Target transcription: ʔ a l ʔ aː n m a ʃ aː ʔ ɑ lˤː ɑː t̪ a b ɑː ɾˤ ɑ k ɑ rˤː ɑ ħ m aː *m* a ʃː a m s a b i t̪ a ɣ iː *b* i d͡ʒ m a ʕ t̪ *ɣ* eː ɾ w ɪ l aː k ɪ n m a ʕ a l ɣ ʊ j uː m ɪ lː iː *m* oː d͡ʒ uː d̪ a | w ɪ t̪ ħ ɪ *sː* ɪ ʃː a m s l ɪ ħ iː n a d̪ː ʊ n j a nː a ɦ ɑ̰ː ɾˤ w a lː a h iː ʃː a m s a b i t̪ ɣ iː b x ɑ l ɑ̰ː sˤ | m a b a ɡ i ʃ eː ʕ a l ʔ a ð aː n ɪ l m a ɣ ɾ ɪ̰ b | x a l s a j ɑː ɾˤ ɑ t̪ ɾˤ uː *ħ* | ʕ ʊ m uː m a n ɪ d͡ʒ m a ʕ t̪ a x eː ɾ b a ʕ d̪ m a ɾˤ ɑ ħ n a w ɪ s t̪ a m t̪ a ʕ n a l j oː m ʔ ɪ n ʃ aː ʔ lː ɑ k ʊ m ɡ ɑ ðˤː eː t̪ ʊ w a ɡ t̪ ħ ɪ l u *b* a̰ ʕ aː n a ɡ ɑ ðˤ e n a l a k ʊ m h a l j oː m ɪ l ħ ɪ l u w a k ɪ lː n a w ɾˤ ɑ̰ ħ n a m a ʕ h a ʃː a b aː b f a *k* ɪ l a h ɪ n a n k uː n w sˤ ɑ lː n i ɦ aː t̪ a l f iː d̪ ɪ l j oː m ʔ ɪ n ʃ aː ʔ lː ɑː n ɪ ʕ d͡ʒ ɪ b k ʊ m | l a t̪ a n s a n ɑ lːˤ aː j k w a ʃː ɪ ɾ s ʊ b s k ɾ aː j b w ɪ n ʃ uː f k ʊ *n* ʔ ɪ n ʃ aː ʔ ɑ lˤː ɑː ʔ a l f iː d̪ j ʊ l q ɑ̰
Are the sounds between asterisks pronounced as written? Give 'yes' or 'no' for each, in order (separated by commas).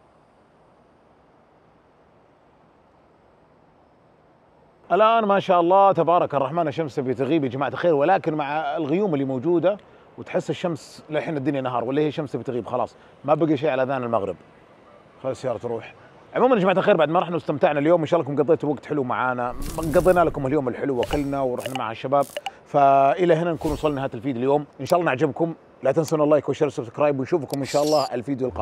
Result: no, yes, no, yes, yes, yes, no, no, no